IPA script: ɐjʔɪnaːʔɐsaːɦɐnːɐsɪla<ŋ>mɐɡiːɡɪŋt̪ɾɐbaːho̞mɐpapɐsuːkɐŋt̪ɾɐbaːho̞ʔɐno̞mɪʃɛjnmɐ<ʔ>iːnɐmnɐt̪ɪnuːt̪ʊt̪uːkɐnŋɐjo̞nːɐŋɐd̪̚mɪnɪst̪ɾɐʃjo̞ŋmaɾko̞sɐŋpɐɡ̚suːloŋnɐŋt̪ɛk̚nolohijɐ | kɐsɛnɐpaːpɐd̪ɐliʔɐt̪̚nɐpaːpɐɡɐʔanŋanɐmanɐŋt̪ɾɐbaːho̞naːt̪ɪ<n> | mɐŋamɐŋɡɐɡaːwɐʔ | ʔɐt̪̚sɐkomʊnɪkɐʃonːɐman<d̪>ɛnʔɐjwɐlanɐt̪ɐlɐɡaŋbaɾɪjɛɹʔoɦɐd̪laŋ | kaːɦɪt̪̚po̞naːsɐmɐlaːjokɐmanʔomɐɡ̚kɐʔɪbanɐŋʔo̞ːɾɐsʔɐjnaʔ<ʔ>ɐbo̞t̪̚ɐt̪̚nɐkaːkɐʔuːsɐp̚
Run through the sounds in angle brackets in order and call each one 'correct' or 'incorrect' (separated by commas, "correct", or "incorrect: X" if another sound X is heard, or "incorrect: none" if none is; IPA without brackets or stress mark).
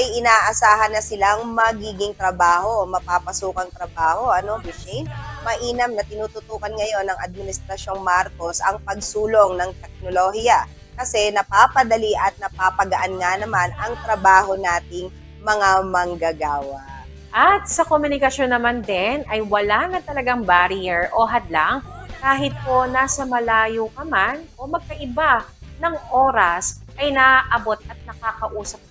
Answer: correct, correct, incorrect: ŋ, correct, correct